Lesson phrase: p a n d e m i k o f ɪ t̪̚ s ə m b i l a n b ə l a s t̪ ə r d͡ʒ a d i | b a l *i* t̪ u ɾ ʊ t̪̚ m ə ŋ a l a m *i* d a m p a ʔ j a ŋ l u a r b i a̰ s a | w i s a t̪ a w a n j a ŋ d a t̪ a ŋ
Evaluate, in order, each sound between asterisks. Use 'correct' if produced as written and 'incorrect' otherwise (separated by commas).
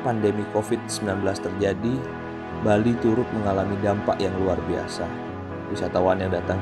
correct, correct